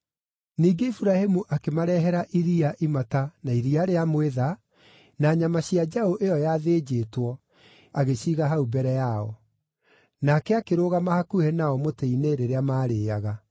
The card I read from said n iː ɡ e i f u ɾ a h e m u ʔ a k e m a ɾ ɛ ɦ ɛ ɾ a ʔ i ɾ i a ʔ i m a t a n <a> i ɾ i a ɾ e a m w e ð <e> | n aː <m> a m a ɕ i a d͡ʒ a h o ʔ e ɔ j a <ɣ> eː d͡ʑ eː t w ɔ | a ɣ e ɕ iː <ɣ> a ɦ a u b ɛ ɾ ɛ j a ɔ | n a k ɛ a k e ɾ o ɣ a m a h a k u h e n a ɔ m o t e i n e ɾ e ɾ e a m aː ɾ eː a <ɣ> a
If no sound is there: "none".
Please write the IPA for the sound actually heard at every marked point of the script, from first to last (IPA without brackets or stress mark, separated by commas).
a, a, ɲ, ð, ɣ, ɣ